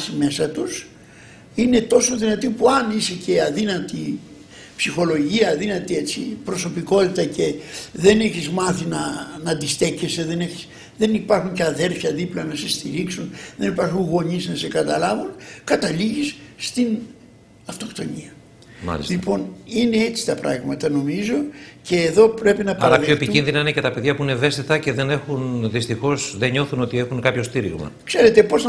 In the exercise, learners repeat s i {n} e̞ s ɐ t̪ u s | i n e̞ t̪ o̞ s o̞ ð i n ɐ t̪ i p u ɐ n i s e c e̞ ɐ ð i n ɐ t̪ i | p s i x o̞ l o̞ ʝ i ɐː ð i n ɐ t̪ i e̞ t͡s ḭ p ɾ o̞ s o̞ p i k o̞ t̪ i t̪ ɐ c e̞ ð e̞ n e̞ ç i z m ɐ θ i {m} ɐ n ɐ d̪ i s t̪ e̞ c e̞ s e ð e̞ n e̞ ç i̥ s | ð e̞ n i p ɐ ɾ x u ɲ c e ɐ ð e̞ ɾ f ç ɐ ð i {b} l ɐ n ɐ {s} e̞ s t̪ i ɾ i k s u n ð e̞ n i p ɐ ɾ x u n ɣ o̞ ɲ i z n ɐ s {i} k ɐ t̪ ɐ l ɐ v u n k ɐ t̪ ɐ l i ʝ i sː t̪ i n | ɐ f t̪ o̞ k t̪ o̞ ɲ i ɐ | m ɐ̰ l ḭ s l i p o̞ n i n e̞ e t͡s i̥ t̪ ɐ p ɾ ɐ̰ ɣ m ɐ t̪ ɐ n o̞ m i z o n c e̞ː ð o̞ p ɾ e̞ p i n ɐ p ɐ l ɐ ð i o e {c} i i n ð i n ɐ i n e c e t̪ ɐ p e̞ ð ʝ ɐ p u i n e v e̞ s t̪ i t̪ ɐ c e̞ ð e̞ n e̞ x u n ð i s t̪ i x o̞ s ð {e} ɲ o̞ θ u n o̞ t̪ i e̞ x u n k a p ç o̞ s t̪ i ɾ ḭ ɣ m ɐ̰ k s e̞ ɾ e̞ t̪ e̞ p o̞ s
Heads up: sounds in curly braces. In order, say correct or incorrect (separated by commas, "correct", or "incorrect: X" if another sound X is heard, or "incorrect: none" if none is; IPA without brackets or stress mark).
incorrect: m, incorrect: n, incorrect: p, correct, incorrect: e, incorrect: p, correct